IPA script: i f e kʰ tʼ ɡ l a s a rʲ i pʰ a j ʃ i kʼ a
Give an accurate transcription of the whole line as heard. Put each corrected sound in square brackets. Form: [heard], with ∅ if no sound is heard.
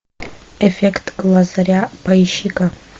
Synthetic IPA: [e] f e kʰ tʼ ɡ l a [z] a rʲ [a] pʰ a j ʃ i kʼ a

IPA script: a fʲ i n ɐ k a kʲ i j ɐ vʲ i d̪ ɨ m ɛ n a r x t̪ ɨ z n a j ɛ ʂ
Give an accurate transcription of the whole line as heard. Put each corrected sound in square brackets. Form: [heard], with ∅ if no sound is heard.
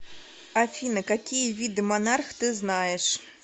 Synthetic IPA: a fʲ i n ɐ k a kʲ i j ɐ vʲ i d̪ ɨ m [a] n a r x t̪ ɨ z n a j ɛ ʂ

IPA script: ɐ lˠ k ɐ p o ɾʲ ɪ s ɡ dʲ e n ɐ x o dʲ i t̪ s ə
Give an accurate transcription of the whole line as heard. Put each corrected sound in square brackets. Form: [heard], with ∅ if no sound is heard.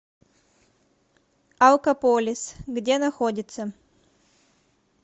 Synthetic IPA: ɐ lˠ k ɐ p o [lʲ] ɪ s ɡ dʲ e n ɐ x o dʲ [ɪ] t̪ s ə

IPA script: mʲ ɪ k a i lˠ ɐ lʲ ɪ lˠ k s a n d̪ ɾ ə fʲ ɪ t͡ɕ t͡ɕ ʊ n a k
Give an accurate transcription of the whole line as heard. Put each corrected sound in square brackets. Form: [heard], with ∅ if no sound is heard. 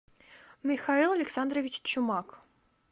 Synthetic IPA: mʲ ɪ [x] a i lˠ ɐ lʲ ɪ [∅] k s a n d̪ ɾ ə [vʲ] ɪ t͡ɕ t͡ɕ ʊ [m] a k

